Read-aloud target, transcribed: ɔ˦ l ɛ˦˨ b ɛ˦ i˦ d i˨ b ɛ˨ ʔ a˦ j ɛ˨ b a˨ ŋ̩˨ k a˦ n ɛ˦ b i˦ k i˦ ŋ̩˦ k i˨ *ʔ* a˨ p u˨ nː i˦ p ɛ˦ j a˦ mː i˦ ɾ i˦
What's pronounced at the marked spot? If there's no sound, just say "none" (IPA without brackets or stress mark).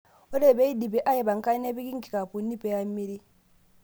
k